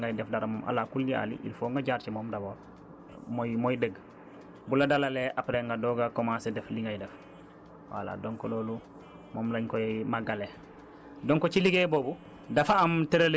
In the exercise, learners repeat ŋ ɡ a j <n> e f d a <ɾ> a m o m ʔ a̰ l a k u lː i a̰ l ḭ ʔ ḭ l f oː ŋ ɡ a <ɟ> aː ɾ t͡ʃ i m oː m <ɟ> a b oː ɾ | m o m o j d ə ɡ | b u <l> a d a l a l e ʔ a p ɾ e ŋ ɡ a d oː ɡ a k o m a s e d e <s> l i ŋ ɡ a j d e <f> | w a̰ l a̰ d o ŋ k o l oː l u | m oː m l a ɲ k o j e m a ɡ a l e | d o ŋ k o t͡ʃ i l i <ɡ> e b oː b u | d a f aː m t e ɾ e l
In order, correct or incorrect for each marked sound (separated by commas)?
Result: incorrect, correct, correct, incorrect, correct, incorrect, correct, correct